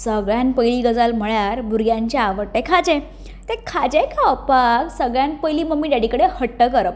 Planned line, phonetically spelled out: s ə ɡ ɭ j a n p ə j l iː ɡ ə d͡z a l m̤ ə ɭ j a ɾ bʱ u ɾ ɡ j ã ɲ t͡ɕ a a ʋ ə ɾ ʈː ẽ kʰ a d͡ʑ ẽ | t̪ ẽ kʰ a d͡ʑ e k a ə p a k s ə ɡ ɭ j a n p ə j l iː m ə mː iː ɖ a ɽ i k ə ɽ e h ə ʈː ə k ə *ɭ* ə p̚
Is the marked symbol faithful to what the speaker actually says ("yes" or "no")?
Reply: no